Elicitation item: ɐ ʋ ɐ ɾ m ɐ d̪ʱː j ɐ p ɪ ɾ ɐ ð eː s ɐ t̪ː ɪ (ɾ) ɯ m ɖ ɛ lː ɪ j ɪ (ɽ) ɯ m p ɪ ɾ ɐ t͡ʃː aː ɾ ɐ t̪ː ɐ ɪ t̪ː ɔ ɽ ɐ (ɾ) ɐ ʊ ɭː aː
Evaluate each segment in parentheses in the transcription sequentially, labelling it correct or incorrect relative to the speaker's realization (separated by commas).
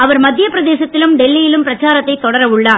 incorrect, incorrect, correct